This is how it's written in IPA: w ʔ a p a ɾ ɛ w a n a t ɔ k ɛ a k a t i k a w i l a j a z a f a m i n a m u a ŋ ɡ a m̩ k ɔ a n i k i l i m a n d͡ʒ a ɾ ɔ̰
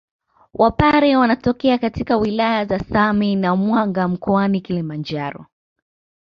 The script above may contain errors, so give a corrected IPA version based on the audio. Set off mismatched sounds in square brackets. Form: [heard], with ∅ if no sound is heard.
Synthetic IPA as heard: w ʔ a p a ɾ ɛ w a n a t ɔ k ɛ a k a t i k a w i l a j a z a [s] a m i n a m [w] a ŋ ɡ a m̩ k ɔ a n i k i l i m a n d͡ʒ a ɾ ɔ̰

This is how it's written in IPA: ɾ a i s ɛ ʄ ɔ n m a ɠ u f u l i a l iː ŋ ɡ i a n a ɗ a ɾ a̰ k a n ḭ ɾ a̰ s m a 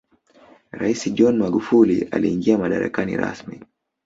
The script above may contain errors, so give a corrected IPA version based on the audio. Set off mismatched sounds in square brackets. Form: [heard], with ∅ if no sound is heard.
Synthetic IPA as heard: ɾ a i s [i] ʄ ɔ n m a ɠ u f u l i a l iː ŋ ɡ i a [m] a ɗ a ɾ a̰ k a n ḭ ɾ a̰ s m [i]

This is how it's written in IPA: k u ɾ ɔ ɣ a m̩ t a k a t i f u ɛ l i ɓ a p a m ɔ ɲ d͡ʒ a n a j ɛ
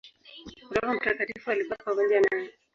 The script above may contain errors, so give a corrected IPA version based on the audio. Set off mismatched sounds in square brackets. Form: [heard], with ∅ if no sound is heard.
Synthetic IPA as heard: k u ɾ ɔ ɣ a m̩ t a k a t i f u [a] l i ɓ a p a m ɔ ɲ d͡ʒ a n a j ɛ

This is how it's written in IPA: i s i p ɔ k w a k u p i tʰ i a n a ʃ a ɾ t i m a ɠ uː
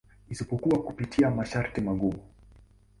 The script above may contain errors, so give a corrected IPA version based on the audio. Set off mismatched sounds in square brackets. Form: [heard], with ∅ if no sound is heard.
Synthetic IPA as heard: i s i p ɔ k [u] a k u p i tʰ i a [m] a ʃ a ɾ t i m a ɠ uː

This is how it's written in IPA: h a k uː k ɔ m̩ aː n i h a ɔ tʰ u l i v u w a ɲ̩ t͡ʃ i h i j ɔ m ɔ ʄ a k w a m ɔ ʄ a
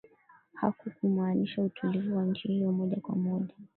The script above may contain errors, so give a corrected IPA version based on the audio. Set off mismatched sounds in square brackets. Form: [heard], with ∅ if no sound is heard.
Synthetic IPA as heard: h a k [u] k [u] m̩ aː n i [ʃ] a [u] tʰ u l i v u w a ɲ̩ t͡ʃ i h i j ɔ m ɔ ʄ a k w a m ɔ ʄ a

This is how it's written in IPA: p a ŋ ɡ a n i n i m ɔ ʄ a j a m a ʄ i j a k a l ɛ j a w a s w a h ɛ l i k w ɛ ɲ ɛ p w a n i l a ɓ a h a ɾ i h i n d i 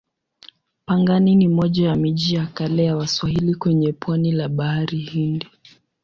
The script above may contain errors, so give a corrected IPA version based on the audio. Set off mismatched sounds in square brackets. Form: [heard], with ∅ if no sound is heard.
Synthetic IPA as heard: p a ŋ ɡ a n i n i m ɔ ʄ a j a m [i] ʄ i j a k a l ɛ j a w a s w a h [i] l i k w ɛ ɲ ɛ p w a n i l a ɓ a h a ɾ i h i n d i

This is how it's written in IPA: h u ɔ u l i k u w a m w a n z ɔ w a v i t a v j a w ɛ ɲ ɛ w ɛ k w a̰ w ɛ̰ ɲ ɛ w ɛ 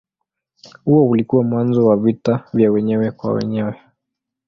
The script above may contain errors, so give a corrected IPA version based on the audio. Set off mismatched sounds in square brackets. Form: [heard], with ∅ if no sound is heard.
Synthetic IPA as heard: h u ɔ u l i k u w a m w a n z ɔ w a v i t a v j a w ɛ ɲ ɛ w ɛ k w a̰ w ɛ̰ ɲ ɛ w ɛ

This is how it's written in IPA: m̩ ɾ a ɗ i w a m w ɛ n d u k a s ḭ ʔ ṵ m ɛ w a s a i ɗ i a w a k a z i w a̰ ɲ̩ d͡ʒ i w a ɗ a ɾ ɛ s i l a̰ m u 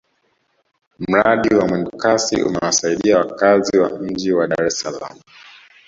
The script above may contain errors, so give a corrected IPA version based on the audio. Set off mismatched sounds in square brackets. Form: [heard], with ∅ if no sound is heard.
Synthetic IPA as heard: m̩ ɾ a ɗ i w a m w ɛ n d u k a s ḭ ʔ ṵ m ɛ w a s a i ɗ i a w a k a z i w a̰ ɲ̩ d͡ʒ i w a ɗ a ɾ ɛ s [a] l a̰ m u

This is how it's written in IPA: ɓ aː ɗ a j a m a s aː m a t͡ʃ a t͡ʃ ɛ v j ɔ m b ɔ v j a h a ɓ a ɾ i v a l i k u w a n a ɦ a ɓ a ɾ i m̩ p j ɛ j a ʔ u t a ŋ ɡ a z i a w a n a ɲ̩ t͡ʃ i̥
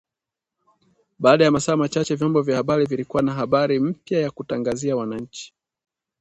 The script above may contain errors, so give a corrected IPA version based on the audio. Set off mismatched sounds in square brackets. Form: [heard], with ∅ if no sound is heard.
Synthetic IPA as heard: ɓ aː ɗ a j a m a s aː m a t͡ʃ a t͡ʃ ɛ v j ɔ m b ɔ v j a h a ɓ a ɾ i v [i] l i k u w a n a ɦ a ɓ a ɾ i m̩ p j [a] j a [k] u t a ŋ ɡ a z i a w a n a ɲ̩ t͡ʃ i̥

